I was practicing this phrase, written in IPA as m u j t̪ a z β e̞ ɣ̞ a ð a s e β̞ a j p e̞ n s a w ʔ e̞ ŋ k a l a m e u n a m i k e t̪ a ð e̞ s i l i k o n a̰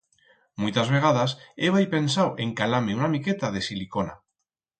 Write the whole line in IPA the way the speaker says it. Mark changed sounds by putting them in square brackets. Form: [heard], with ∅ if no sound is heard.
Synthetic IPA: m u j t̪ a z β e̞ ɣ̞ a ð a s e β̞ a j p e̞ n s a w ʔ e̞ ŋ k a l a m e u n a m i k e t̪ a ð e̞ s i l i k o n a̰